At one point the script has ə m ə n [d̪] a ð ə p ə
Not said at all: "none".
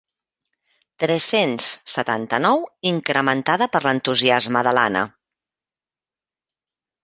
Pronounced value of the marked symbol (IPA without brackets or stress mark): t̪